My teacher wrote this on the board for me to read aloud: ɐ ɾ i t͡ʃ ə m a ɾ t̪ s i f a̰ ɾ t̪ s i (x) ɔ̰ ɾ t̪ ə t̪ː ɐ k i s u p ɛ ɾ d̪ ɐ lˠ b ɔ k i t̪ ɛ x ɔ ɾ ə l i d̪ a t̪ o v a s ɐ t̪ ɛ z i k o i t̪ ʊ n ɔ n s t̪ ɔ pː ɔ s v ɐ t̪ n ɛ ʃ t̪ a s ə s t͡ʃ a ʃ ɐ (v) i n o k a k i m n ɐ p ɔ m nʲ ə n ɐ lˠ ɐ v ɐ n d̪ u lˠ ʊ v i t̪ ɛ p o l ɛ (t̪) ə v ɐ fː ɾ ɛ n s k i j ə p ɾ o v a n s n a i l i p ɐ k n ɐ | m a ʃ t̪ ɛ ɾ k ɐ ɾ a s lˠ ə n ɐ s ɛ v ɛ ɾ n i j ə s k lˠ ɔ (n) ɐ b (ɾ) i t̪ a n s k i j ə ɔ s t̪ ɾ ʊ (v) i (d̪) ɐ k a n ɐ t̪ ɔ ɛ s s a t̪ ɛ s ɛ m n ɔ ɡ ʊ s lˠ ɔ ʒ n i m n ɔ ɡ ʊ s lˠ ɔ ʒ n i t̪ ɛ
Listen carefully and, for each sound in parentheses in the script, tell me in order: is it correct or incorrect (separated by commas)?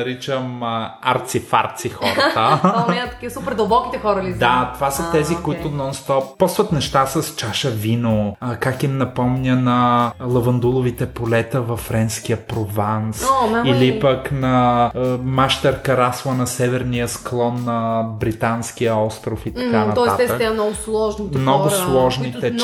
correct, correct, correct, incorrect, correct, incorrect, incorrect